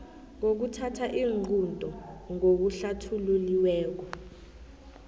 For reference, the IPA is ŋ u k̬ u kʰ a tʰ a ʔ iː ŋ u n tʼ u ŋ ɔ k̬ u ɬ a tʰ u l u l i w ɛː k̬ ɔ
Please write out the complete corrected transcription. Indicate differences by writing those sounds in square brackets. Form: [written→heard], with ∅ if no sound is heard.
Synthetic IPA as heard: ŋ [u→o] k̬ u [kʰ→tʰ] a tʰ a ʔ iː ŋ u n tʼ [u→ɔ] ŋ [ɔ→o] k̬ u ɬ a tʰ u l u l i w ɛː k̬ ɔ

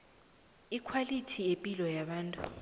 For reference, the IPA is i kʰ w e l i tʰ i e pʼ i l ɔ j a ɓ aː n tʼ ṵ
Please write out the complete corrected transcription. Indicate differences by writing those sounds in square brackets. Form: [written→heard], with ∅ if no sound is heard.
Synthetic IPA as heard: i kʰ w [e→a] l i tʰ i e pʼ i l ɔ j a ɓ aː n tʼ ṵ

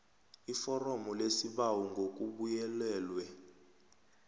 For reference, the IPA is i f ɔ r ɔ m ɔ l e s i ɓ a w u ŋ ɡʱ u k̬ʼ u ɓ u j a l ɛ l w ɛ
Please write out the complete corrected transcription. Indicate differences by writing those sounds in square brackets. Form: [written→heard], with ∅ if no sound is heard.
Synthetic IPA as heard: i f ɔ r ɔ m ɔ l e s i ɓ a w u ŋ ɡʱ [u→o] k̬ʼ u ɓ u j [a→ɛ] l [ɛ→ɛː] l w ɛ

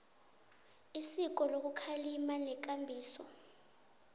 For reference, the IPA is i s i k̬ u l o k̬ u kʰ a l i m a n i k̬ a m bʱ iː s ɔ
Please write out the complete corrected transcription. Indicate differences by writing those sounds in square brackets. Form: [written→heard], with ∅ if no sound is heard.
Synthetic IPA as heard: i s i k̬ [u→ɔ] l o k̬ u kʰ a l i m a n [i→ɛ] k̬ a m bʱ iː s ɔ

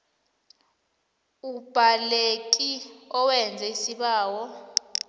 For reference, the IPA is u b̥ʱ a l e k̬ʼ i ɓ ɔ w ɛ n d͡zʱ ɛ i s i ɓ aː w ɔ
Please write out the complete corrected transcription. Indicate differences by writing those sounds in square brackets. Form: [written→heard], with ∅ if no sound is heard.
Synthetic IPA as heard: u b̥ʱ a l e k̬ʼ i [ɓ→∅] ɔ w ɛ n d͡zʱ ɛ i s i ɓ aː w ɔ

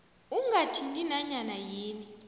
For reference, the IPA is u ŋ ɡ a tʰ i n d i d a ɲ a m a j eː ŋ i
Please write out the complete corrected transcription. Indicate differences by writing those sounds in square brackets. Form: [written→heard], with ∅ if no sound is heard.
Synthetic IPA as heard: u ŋ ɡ a tʰ i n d i [d→n] a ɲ a [m→n] a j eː [ŋ→n] i

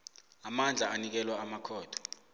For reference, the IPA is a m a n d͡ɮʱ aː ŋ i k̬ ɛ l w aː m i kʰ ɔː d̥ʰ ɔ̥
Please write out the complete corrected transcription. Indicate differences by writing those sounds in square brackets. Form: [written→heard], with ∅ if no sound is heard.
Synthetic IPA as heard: a m a n d͡ɮʱ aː [ŋ→n] i k̬ ɛ l w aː m [i→a] kʰ ɔː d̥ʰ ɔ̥

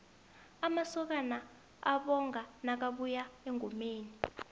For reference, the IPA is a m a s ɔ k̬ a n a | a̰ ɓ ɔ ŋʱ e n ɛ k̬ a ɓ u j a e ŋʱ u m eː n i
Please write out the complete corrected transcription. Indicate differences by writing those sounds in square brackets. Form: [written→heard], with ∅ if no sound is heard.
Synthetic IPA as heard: a m a s ɔ k̬ a n a | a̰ ɓ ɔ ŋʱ [e→a] n [ɛ→a] k̬ a ɓ u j a e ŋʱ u m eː n i

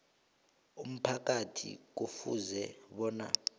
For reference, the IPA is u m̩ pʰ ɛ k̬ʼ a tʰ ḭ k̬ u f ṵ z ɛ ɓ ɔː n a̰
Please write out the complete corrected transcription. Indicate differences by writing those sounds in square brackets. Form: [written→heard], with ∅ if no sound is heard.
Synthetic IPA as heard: u m̩ pʰ [ɛ→a] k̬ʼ a tʰ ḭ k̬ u f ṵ z ɛ ɓ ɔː n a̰

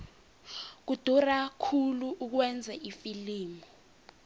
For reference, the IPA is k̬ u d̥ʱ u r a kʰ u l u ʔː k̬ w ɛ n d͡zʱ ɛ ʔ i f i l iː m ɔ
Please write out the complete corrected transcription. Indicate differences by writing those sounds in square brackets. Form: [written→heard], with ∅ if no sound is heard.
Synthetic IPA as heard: k̬ u d̥ʱ u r a kʰ u l u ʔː k̬ w ɛ n d͡zʱ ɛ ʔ i f i l iː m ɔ

